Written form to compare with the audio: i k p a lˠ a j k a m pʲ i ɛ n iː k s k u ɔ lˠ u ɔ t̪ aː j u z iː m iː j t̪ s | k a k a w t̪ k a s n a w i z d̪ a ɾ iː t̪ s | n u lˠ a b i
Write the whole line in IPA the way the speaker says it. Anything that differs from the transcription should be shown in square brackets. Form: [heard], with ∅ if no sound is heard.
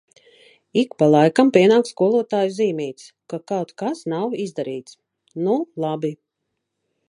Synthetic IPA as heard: i k p a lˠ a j k a m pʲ i ɛ n [aː] k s k u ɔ lˠ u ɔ t̪ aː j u z iː m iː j t̪ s | k a k a w t̪ k a s n a w i z d̪ a ɾ iː t̪ s | n u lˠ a b i